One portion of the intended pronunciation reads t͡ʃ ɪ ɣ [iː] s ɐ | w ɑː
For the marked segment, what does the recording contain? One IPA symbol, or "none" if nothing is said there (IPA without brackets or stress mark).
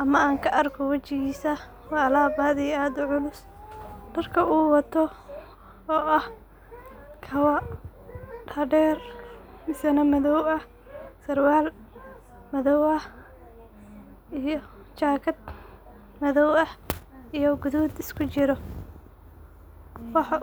iː